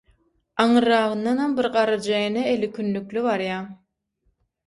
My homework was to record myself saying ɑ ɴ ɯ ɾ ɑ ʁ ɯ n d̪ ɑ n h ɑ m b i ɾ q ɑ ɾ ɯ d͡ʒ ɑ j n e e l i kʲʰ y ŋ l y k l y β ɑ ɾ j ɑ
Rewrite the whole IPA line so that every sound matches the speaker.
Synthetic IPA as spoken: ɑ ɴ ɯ ɾ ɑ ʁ ɯ n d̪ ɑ n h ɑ m b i ɾ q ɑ ɾ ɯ d͡ʒ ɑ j n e e l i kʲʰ y n l y k l y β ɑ ɾ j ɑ